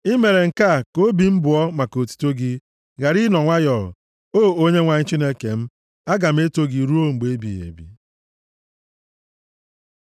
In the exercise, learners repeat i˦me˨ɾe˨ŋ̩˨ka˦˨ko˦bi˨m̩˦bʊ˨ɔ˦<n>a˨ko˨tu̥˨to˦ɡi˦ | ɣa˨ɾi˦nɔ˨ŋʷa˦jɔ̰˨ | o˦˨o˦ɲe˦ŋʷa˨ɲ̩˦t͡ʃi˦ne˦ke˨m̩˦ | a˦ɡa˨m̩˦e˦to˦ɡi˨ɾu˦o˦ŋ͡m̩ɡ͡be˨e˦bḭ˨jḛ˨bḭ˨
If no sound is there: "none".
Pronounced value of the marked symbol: m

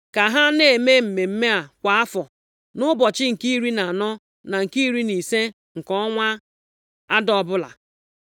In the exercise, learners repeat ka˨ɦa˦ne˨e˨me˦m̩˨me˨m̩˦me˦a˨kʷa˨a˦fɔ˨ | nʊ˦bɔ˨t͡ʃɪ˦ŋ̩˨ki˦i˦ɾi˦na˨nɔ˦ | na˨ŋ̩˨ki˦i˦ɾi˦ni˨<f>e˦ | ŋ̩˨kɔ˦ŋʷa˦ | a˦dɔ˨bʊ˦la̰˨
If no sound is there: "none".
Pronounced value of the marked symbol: s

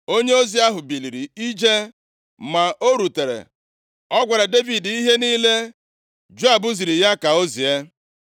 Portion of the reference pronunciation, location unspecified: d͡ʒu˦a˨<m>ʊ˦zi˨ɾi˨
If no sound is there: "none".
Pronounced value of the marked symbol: b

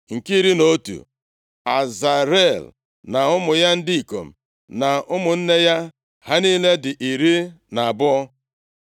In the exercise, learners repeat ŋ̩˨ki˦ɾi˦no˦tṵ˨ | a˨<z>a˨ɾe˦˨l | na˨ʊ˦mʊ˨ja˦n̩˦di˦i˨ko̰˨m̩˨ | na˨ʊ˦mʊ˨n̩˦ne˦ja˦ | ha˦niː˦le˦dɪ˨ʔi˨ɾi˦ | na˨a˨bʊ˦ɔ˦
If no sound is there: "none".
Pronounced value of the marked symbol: z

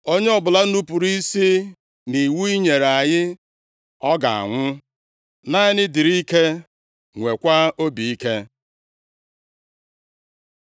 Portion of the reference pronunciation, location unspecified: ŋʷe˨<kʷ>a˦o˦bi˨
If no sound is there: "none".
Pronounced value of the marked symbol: kʷ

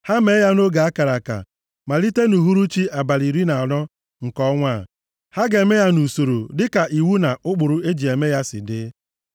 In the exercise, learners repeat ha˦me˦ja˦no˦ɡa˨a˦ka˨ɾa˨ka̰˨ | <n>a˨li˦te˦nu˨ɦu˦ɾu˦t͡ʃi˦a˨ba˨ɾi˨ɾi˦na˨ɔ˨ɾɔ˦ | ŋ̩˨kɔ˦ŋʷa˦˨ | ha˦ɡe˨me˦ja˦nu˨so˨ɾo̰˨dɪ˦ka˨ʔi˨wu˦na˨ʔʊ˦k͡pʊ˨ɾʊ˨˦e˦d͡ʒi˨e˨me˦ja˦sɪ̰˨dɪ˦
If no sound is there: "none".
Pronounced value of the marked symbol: m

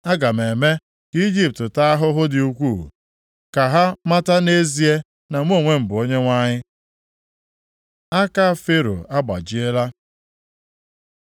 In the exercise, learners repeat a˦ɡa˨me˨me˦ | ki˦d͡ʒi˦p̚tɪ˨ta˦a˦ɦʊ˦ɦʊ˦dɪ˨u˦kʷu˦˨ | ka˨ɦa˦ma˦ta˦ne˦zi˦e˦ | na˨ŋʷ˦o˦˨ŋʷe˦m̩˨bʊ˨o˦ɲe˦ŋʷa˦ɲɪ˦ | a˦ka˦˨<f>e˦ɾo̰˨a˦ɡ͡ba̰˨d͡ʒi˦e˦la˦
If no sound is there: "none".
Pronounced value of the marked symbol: f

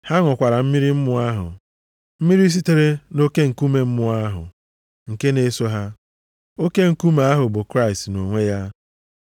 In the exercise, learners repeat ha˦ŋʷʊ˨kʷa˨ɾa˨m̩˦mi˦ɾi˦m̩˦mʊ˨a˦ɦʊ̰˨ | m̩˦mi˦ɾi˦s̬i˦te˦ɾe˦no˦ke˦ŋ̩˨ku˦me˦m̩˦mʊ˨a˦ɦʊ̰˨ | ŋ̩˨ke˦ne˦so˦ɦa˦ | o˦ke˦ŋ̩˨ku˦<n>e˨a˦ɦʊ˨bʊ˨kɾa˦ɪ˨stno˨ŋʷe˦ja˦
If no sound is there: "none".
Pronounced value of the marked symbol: m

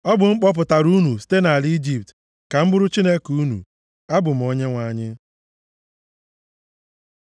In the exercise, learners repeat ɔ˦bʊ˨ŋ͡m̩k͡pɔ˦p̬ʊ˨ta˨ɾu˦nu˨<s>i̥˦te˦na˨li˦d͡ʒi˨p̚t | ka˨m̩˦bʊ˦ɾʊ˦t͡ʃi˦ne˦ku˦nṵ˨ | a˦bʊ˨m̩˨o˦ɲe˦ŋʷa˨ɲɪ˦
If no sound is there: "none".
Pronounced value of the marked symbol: s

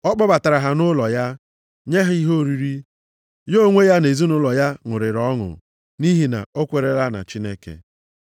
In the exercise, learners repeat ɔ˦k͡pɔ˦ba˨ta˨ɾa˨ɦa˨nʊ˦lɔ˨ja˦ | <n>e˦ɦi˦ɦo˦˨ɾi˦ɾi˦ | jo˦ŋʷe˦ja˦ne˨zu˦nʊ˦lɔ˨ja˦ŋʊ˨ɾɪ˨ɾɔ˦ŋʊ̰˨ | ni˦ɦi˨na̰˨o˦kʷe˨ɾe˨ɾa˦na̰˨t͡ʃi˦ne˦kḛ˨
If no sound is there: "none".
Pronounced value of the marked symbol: ɲ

